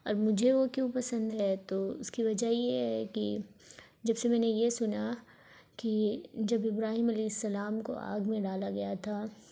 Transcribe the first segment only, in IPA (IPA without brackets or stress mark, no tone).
ɔː